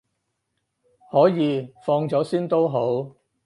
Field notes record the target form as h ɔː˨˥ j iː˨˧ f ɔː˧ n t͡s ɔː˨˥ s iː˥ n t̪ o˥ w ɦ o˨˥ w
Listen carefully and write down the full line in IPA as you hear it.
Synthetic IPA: h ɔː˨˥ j iː˨˧ f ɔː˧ ŋ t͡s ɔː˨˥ s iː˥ n t̪ o˥ w ɦ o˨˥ w